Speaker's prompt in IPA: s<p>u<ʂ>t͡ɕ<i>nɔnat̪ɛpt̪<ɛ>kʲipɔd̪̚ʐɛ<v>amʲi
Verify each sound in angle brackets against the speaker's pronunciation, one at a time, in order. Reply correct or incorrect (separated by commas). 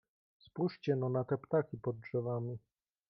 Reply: correct, correct, incorrect, incorrect, correct